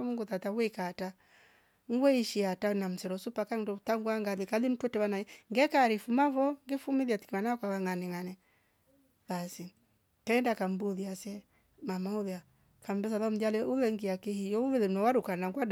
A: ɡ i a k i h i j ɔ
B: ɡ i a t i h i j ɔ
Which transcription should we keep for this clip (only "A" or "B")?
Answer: A